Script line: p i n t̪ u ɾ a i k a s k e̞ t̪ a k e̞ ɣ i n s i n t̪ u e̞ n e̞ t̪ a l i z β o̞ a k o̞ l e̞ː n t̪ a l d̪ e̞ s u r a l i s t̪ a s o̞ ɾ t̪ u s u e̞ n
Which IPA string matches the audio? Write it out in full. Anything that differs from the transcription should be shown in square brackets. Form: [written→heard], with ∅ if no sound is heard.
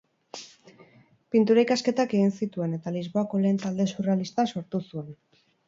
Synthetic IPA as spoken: p i n t̪ u ɾ a i k a s k e̞ t̪ a k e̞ ɣ i n s i [n→∅] t̪ u e̞ n e̞ t̪ a l i z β o̞ a k o̞ l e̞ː n t̪ a l d̪ e̞ s u r a l i s t̪ a s o̞ ɾ t̪ u s u e̞ n